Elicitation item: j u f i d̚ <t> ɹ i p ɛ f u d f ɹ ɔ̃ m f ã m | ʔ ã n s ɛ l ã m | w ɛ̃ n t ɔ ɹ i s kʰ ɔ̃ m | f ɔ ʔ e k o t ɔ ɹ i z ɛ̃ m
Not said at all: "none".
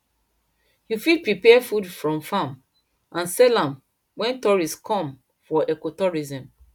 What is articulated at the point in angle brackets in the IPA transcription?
p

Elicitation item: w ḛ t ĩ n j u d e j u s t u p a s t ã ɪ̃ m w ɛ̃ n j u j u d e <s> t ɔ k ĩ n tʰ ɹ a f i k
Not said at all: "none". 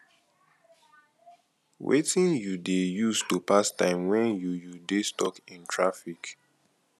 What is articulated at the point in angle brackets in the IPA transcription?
s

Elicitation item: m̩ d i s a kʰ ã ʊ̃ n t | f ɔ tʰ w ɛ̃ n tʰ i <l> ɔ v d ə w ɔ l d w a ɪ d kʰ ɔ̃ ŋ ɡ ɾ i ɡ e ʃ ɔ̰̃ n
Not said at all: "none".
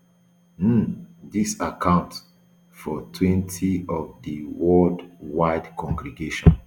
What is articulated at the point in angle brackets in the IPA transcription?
none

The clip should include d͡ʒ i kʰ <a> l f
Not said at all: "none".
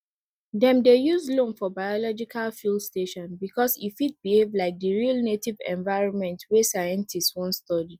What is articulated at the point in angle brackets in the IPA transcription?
a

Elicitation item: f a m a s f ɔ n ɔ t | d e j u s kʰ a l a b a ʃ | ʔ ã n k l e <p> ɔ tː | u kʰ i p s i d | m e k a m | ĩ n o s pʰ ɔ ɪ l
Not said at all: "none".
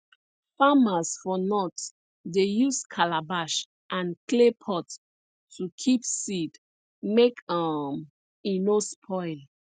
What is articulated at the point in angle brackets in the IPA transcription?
pʰ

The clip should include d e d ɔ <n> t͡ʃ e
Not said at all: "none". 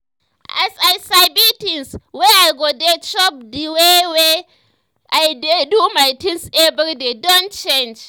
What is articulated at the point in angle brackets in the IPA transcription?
n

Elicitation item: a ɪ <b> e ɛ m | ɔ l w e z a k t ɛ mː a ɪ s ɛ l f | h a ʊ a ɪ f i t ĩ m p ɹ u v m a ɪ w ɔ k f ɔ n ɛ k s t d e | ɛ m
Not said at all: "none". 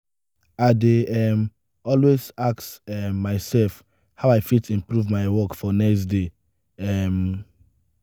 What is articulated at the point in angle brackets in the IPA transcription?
d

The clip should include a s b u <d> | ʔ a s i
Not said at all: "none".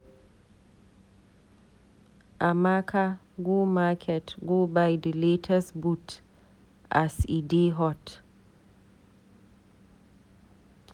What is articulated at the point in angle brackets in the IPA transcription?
t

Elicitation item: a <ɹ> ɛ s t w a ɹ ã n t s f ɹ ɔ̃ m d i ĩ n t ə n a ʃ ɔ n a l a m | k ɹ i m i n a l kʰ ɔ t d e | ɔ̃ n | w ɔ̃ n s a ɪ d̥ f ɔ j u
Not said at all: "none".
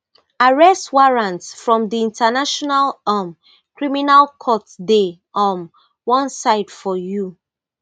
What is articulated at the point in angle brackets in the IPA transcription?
ɹ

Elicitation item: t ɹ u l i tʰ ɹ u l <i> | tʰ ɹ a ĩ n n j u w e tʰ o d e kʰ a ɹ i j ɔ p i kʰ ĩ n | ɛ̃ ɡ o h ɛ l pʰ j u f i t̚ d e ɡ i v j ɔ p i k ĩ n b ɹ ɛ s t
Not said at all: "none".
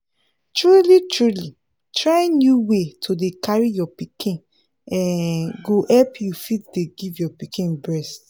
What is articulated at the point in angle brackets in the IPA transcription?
i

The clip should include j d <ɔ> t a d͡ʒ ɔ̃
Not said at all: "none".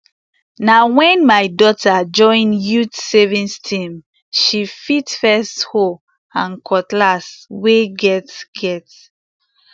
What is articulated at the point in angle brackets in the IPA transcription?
ɔ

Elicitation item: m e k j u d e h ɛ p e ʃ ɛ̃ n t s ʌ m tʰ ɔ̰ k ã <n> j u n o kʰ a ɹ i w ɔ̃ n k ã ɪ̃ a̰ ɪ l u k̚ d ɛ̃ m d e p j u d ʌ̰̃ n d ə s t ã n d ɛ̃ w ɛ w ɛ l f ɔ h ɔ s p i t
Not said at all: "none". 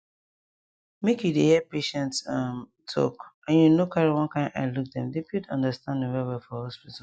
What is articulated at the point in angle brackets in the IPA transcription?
n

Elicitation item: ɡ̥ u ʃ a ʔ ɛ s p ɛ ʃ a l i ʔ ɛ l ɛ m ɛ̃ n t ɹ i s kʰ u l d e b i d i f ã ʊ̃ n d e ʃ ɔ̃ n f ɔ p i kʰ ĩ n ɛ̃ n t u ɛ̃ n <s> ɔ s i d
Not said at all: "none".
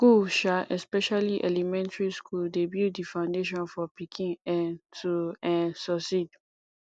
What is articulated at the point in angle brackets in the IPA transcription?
s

